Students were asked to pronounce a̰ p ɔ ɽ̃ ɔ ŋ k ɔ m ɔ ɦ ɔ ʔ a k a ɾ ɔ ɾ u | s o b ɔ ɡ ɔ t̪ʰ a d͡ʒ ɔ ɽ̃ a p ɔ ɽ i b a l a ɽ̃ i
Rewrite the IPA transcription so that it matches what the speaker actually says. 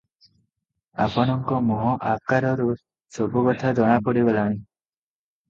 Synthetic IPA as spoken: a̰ p ɔ ɽ̃ ɔ ŋ k ɔ m ɔ ɦ ɔ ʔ a k a ɾ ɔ ɾ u | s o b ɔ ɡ ɔ t̪ʰ a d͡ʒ ɔ ɽ̃ a p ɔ ɽ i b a l a ɽ̃ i

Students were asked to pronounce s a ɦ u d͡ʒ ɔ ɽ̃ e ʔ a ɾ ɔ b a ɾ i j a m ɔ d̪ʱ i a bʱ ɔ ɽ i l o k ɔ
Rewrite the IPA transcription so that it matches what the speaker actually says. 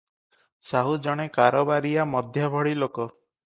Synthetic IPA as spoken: s a ɦ u d͡ʒ ɔ ɽ̃ e k a ɾ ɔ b a ɾ i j a m ɔ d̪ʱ j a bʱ ɔ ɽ i l o k ɔ

